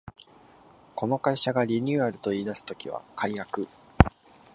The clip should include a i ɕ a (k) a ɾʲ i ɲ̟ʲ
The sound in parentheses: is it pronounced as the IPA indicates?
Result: no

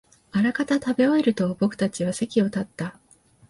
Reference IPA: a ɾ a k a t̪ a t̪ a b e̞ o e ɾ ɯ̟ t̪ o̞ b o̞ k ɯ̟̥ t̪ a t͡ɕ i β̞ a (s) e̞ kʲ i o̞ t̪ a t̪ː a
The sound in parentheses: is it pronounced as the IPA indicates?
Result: yes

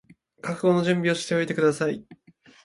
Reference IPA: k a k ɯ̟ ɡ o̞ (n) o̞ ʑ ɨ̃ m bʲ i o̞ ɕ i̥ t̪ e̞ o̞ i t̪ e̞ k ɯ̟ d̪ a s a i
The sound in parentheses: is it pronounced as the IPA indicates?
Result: yes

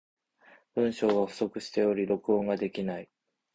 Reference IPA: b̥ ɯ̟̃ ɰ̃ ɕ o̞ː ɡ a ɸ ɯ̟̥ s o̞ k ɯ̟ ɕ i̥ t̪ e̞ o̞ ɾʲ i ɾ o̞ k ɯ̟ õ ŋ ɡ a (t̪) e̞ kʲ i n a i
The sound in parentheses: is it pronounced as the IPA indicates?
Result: no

